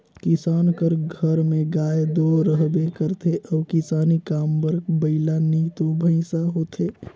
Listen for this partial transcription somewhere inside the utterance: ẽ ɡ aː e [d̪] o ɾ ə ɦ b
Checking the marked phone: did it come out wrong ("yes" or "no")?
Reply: no